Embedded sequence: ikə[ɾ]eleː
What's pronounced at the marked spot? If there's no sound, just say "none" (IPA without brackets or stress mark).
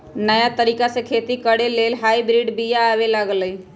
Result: ɽ